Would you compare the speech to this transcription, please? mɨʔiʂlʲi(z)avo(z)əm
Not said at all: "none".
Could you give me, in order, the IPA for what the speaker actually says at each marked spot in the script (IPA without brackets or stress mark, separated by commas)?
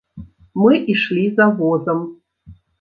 z, z